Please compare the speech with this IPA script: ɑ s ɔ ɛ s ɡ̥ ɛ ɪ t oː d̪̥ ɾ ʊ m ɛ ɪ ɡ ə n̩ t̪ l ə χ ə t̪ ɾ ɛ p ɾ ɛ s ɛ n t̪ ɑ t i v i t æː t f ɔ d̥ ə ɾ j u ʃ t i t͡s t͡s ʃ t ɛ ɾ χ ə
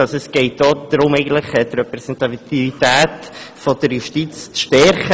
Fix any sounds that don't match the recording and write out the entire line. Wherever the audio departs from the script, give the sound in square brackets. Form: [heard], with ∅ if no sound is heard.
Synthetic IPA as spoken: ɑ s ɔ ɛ s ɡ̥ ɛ ɪ t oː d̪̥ ɾ ʊ m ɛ ɪ ɡ ə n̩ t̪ l ə χ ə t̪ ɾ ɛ p ɾ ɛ s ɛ n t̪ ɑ t i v i t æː t f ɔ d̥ ə ɾ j u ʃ t i t͡s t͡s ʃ t ɛ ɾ χ ə